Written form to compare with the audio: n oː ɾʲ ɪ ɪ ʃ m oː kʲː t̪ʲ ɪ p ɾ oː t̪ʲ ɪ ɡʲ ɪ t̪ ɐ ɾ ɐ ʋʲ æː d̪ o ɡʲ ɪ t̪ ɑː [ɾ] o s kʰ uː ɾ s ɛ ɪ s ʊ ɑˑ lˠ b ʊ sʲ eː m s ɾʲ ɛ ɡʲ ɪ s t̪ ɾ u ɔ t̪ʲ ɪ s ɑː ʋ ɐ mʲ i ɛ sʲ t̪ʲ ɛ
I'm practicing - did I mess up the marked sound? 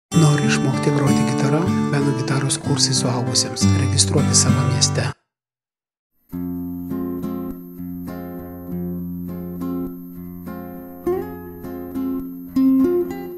no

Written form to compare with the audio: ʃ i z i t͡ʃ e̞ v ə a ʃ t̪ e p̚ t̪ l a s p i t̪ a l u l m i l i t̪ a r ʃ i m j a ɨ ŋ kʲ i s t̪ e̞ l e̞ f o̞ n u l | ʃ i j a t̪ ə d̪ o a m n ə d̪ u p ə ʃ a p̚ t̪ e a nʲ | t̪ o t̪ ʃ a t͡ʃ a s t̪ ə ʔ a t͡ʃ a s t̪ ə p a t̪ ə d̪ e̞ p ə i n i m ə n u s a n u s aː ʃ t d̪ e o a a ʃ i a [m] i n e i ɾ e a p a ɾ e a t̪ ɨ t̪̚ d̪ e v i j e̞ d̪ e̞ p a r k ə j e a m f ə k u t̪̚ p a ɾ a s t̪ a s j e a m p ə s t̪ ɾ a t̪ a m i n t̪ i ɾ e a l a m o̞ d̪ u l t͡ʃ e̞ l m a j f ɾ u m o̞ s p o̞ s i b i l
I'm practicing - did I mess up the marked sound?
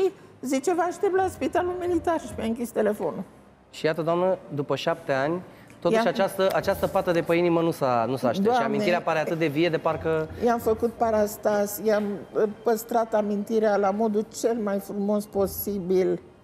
no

